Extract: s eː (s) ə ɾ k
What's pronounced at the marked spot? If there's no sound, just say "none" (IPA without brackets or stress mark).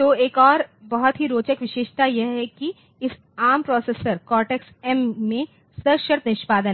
s